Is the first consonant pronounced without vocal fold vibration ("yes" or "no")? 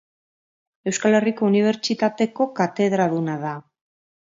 no